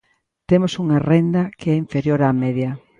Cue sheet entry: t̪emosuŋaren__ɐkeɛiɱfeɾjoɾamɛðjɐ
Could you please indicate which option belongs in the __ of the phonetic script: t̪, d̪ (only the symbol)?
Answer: d̪